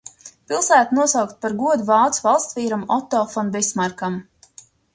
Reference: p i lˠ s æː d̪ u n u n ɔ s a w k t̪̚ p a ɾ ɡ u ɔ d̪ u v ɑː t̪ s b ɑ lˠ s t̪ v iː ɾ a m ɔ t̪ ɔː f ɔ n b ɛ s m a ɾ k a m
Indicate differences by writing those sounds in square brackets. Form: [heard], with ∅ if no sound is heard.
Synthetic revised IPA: p i lˠ s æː [t̪] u n u [∅] ɔ s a w k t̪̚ p a ɾ ɡ u ɔ d̪ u v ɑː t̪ s [v] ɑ lˠ s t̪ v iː ɾ a m ɔ t̪ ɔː f ɔ n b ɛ s m a ɾ k a m

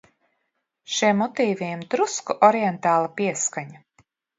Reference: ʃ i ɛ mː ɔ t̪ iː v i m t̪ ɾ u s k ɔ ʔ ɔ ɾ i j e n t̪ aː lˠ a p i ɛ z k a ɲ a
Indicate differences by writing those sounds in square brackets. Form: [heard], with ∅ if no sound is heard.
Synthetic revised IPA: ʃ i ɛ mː ɔ t̪ iː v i m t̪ ɾ u s k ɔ ʔ ɔ ɾ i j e n t̪ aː lˠ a p i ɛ [s] k a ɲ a

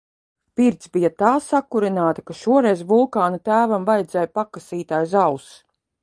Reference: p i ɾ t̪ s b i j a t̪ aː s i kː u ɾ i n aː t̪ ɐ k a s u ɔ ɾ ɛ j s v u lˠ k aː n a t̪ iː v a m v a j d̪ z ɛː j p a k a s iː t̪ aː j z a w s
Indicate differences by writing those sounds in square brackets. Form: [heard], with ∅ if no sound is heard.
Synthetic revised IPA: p i ɾ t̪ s b i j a t̪ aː s [a] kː u ɾ i n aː t̪ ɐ k a [ʃ] u ɔ ɾ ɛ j [z] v u lˠ k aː n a t̪ [æː] v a m v a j d̪ z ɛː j p a k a s iː t̪ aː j z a w s

